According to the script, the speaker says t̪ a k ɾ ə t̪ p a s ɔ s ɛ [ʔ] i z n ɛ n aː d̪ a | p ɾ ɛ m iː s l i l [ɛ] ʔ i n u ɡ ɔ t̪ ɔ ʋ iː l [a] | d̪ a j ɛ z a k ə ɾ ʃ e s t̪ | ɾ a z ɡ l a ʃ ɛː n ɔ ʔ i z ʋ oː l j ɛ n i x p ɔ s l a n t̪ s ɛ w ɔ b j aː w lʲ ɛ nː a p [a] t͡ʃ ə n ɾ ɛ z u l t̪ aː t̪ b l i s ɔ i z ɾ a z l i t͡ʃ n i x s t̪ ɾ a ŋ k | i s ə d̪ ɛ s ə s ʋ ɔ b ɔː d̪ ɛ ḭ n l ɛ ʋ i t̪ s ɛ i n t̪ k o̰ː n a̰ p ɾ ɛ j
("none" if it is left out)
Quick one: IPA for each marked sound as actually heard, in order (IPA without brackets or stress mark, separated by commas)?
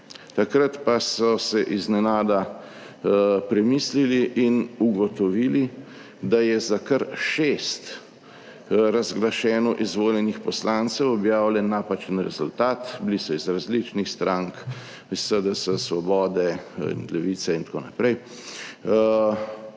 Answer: ʔ, i, i, a